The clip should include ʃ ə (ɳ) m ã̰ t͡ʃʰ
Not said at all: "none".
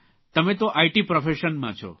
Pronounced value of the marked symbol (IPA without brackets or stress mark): n